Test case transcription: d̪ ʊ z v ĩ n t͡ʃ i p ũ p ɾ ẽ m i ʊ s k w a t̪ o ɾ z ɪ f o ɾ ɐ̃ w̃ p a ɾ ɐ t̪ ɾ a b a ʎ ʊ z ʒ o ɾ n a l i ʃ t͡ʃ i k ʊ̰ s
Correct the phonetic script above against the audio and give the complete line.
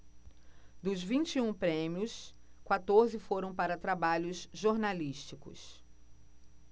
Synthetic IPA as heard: d̪ ʊ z v ĩ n t͡ʃ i ũ p ɾ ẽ m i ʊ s k w a t̪ o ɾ z ɪ f o ɾ ɐ̃ w̃ p a ɾ ɐ t̪ ɾ a b a ʎ ʊ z ʒ o ɾ n a l i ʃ t͡ʃ i k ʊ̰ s